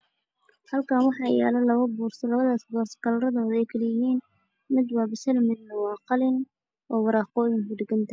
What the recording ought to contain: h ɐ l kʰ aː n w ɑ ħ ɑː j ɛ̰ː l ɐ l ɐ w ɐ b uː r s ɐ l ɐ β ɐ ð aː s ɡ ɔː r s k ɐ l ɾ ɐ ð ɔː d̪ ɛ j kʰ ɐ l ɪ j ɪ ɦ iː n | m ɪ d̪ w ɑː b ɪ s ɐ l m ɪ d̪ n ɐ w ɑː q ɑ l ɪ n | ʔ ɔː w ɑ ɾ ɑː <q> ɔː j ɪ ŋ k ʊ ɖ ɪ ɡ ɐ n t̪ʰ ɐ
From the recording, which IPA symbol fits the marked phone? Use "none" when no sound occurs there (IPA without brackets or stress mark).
q